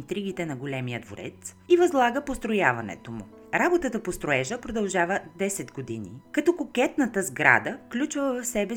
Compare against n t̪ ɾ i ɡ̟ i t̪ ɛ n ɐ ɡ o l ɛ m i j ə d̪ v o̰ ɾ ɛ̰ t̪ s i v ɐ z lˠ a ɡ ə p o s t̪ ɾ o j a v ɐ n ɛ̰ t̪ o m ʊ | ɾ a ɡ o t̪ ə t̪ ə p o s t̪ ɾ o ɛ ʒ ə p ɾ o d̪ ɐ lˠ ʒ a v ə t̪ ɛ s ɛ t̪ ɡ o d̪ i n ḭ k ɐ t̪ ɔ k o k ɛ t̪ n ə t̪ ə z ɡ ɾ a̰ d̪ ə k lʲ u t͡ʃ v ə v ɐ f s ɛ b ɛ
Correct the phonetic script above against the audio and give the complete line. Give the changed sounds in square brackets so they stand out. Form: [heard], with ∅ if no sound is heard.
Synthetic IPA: n t̪ ɾ i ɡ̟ i t̪ ɛ n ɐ ɡ o l ɛ m i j ə d̪ v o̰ ɾ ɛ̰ t̪ s i v ɐ z lˠ a ɡ ə p o s t̪ ɾ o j a v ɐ n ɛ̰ t̪ o m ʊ | ɾ a [b] o t̪ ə t̪ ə p o s t̪ ɾ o ɛ ʒ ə p ɾ o d̪ ɐ lˠ ʒ a v ə [d̪] ɛ s ɛ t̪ ɡ o d̪ i n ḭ k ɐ t̪ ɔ k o k ɛ t̪ n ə t̪ ə z ɡ ɾ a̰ d̪ ə k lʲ u t͡ʃ v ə v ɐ f s ɛ b ɛ